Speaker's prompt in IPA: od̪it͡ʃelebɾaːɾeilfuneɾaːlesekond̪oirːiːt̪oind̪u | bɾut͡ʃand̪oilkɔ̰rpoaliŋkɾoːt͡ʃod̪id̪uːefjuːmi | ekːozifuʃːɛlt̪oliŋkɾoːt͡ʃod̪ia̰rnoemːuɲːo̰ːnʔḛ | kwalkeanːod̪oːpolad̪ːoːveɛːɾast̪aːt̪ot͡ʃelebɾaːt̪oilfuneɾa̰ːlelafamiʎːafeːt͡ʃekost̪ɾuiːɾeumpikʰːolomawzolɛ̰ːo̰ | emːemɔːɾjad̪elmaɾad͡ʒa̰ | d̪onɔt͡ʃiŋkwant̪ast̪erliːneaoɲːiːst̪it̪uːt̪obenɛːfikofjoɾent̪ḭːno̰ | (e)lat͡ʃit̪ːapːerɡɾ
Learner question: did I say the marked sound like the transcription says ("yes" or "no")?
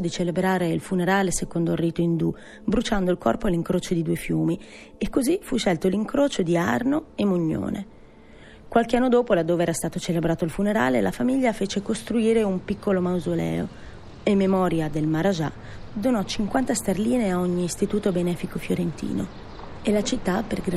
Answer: yes